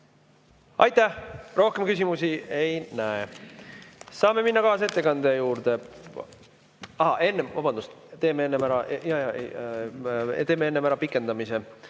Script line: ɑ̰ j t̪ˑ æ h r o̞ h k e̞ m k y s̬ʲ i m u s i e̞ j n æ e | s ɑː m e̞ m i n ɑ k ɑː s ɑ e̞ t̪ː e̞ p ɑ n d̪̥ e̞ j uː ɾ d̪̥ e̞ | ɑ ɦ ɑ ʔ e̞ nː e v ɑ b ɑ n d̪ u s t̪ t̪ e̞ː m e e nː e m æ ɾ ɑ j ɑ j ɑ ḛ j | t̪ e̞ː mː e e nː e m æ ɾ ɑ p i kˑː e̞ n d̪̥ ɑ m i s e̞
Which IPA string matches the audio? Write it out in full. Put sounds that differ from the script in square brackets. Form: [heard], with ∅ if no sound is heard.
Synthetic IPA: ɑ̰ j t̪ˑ æ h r o̞ h k e̞ m k y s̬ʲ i m u s i e̞ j n æ e | s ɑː m e̞ m i [nː] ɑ k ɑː s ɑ e̞ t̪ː e̞ [k] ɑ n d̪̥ e̞ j uː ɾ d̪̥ e̞ | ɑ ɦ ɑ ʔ e̞ nː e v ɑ b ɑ n d̪ u s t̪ t̪ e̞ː m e e nː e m æ ɾ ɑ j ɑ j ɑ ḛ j | t̪ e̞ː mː e e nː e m æ ɾ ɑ p i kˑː e̞ n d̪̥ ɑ m i s e̞